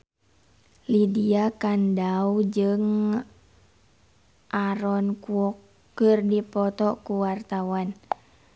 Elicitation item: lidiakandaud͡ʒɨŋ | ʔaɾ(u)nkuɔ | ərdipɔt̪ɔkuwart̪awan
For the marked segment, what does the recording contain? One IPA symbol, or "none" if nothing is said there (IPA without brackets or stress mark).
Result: ɔ